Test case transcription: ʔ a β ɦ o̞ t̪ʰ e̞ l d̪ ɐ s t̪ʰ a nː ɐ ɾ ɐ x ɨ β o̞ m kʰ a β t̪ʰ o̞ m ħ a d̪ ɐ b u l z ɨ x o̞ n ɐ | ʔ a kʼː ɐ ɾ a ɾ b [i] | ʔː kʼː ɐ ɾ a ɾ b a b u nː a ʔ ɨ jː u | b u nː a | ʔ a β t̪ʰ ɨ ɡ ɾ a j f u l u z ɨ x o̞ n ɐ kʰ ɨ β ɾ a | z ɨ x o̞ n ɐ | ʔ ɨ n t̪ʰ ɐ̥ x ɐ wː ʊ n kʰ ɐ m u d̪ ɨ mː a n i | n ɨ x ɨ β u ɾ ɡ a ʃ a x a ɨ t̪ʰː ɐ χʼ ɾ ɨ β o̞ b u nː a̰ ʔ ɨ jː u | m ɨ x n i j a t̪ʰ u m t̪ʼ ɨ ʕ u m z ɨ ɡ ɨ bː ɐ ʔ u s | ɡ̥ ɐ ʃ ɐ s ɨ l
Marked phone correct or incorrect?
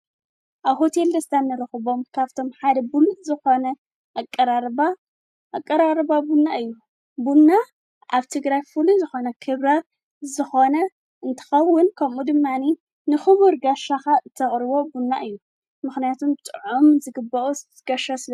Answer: incorrect